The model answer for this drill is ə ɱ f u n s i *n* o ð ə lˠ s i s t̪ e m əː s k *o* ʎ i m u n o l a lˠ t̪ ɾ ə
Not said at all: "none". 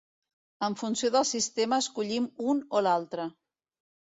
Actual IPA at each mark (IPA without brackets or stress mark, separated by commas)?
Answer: none, u